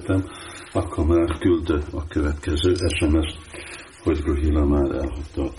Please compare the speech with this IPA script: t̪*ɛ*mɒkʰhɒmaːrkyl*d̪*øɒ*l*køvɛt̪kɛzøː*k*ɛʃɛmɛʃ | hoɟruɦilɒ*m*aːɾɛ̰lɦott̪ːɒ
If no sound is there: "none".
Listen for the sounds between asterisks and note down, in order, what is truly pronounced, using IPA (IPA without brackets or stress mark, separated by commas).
ɛ, d̪, none, ʔ, m